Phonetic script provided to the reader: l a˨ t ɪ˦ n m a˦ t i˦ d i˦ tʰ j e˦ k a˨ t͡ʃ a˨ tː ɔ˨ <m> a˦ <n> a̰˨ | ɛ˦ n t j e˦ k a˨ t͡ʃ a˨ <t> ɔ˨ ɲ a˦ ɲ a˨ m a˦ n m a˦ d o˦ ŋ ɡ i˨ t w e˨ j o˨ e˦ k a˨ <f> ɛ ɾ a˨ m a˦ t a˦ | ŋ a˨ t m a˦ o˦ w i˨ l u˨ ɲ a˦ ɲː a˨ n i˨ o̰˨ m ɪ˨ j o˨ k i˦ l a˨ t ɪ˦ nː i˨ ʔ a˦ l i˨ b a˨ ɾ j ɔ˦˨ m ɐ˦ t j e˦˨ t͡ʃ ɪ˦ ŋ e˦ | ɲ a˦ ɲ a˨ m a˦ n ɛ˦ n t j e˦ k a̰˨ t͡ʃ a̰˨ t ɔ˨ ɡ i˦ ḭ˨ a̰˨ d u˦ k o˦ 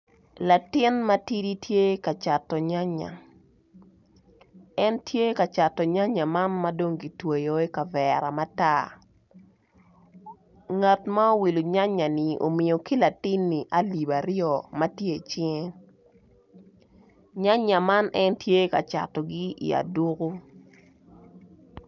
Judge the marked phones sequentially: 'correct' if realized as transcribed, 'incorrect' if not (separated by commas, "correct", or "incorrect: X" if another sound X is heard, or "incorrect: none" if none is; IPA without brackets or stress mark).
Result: incorrect: ɲ, incorrect: ɲ, correct, incorrect: v